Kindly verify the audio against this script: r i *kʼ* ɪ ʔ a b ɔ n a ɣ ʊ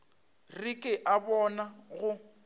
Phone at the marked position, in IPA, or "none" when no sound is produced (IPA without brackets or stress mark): kʼ